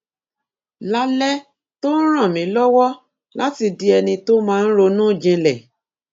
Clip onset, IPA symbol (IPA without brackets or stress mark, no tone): l